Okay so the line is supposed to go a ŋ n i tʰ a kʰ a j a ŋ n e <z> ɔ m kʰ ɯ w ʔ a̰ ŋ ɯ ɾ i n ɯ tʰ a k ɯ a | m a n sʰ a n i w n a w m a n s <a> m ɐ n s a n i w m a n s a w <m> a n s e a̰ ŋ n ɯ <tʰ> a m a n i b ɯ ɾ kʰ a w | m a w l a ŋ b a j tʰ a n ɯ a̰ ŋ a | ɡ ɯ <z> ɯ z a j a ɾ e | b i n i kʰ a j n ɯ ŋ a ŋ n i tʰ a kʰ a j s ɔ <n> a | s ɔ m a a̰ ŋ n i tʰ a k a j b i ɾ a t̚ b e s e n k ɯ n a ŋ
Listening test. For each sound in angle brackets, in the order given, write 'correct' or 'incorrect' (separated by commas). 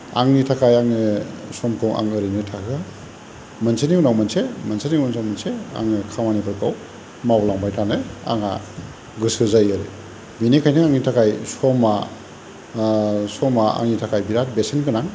incorrect, incorrect, correct, incorrect, incorrect, incorrect